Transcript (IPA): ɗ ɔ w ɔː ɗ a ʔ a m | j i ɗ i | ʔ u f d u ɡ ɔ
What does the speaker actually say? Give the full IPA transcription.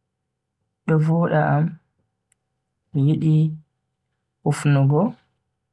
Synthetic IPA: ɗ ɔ v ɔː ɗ a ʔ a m | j i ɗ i | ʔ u f n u ɡ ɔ